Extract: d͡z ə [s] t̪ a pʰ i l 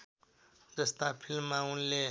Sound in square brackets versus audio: correct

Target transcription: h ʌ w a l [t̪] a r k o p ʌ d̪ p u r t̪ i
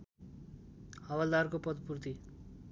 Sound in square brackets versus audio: incorrect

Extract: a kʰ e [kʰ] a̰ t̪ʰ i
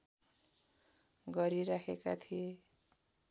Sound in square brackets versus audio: incorrect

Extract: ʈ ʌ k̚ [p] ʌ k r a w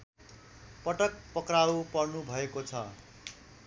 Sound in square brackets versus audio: correct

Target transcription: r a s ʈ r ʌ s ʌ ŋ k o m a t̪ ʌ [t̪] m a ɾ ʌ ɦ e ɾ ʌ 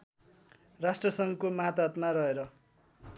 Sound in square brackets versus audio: correct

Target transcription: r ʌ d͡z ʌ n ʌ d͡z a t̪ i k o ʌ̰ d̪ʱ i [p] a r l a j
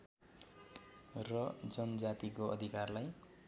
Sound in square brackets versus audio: incorrect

